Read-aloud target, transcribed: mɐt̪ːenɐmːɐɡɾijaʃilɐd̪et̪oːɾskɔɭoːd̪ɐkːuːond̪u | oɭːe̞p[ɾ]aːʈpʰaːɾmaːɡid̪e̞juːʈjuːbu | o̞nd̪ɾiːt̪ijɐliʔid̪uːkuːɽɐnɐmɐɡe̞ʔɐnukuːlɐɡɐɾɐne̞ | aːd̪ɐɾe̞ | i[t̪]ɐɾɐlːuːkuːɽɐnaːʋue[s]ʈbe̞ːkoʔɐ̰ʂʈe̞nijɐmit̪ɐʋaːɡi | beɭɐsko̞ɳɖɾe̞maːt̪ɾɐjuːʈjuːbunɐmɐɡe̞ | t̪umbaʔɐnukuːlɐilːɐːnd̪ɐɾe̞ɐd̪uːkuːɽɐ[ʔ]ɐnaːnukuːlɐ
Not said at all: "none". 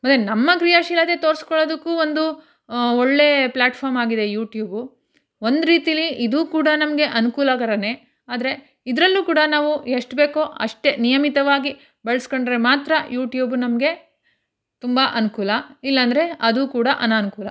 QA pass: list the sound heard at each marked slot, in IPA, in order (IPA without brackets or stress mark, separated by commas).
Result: l, d̪, ʂ, ʔ